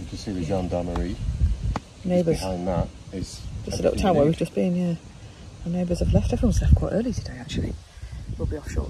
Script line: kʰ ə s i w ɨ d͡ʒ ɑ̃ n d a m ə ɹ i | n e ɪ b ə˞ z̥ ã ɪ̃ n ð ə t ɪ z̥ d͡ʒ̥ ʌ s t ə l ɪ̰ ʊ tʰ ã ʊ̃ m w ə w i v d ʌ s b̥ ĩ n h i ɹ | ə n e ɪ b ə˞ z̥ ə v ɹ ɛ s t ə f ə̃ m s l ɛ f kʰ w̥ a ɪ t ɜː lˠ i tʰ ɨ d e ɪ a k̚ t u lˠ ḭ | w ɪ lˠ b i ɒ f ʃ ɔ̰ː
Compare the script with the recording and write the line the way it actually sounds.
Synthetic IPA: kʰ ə s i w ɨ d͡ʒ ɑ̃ n d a m ə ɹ i | n e ɪ b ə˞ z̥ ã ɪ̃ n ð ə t ɪ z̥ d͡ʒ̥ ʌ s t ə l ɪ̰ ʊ tʰ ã ʊ̃ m w ə w i v d͡ʒ ʌ s b̥ ĩ n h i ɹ | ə n e ɪ b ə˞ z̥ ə v l ɛ f t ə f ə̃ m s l ɛ f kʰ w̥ a ɪ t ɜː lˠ i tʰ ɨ d e ɪ a k̚ t͡ʃ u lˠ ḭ | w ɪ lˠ b i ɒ f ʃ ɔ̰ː